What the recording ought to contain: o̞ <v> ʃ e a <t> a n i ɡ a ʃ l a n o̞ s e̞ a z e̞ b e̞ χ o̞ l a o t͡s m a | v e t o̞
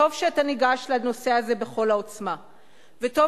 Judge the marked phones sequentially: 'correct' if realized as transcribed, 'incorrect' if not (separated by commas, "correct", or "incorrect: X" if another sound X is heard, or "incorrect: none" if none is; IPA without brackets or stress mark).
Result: correct, correct